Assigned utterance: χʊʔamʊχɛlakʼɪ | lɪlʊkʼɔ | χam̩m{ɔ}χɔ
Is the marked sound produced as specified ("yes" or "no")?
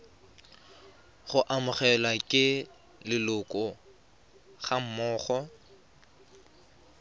no